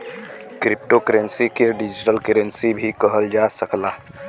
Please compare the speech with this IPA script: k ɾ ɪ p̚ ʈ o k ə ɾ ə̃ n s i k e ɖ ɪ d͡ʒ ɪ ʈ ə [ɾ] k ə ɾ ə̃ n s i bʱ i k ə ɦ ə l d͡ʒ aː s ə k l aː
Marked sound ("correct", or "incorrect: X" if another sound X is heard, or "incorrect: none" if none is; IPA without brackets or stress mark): incorrect: l